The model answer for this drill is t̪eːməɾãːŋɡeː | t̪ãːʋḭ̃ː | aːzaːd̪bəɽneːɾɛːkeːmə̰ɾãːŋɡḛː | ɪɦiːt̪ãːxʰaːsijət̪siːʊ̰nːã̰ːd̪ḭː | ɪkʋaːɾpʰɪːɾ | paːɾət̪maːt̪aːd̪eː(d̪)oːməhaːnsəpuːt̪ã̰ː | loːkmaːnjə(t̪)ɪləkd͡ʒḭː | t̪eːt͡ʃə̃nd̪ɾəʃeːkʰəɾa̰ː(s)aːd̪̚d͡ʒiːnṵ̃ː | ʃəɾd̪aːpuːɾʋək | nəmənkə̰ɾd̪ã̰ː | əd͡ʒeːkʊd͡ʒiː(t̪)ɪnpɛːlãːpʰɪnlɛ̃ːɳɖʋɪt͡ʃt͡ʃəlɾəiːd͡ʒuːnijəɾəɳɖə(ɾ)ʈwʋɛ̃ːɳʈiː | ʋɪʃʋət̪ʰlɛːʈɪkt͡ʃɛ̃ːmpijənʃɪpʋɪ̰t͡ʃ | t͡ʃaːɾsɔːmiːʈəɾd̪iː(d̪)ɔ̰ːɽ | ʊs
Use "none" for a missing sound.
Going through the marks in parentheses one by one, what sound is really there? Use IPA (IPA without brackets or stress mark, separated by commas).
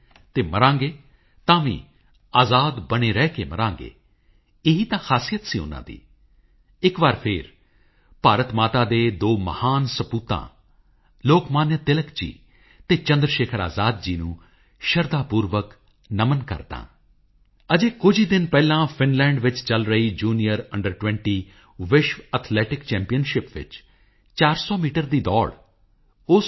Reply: d̪, t̪, z, d̪, ɾ, d̪